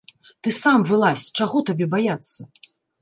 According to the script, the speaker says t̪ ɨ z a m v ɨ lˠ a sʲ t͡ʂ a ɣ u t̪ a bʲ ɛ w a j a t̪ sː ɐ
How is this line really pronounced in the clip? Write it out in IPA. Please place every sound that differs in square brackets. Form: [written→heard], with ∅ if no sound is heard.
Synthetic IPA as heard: t̪ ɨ [z→s] a m v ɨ lˠ a sʲ t͡ʂ a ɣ [u→ɔ] t̪ a bʲ ɛ [w→b] a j a t̪ sː ɐ